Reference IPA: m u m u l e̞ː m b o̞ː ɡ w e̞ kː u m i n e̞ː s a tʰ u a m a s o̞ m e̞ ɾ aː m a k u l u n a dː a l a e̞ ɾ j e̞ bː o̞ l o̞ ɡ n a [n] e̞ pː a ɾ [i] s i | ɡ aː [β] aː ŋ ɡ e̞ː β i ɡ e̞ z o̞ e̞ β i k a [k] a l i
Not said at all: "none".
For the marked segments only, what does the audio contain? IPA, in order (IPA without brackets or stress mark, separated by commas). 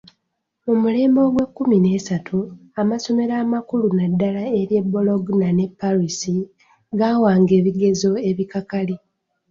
n, i, w, k